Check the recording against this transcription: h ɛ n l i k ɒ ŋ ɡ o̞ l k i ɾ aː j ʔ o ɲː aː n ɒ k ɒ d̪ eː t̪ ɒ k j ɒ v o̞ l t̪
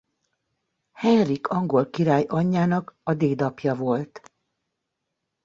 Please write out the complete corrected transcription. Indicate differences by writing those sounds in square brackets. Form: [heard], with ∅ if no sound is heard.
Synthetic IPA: h ɛ n [r] i k ɒ ŋ ɡ o̞ l k i ɾ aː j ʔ [ɒ] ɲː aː n ɒ k ɒ d̪ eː [d̪] ɒ [p] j ɒ v o̞ l t̪

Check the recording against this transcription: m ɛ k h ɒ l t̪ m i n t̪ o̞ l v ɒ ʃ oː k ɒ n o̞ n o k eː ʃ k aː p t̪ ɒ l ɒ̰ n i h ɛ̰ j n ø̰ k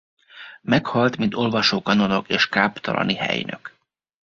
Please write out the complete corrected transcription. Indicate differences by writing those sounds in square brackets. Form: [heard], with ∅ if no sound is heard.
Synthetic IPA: m ɛ k h ɒ l t̪ m i n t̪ o̞ l v ɒ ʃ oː k ɒ n o̞ n o k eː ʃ k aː p t̪ ɒ l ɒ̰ n i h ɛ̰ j n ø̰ k

